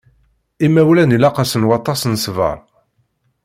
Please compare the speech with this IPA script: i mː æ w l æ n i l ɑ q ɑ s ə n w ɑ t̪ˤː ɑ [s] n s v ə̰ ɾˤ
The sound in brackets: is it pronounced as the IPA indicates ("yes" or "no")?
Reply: yes